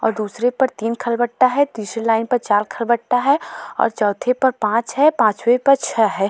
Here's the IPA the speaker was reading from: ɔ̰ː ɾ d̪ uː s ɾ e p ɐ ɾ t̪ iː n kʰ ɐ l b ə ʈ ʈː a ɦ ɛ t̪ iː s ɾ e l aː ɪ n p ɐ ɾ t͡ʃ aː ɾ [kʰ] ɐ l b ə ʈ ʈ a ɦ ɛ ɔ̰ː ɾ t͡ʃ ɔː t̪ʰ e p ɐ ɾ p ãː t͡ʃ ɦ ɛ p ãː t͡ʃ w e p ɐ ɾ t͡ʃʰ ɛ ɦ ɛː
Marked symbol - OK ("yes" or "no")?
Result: yes